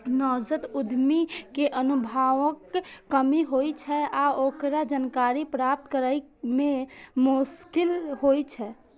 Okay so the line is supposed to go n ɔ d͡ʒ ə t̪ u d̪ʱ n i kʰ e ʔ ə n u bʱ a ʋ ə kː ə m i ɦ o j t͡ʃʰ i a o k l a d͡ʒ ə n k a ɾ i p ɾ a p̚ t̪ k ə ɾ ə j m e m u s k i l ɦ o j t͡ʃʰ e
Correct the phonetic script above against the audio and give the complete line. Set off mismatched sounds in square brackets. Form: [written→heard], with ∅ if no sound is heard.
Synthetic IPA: n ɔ d͡ʒ ə t̪ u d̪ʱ [n→m] i [kʰ→k] e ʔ ə n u bʱ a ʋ ə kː ə m i ɦ o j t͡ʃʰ [i→ɛ] a o k [l→ɾ] a d͡ʒ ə n k a ɾ i p ɾ a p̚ t̪ k ə ɾ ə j m e m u s k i l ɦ o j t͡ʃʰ [e→ɛ]